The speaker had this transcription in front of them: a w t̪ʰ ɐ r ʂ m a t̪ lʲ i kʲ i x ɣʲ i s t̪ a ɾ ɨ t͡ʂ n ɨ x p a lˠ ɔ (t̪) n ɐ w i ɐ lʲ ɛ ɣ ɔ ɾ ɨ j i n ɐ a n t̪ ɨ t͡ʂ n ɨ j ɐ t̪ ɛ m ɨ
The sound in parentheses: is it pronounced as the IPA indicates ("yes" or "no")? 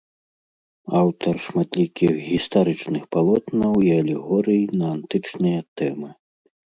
yes